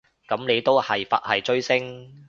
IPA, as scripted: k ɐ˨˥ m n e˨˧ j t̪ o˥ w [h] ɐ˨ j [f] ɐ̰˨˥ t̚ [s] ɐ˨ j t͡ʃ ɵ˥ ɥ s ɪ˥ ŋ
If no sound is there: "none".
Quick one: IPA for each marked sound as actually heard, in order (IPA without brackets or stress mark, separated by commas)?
h, f, h